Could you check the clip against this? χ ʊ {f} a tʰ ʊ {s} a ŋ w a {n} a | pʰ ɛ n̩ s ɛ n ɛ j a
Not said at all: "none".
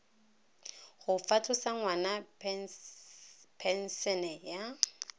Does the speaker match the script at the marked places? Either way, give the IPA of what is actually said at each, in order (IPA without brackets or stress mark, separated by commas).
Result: f, s, n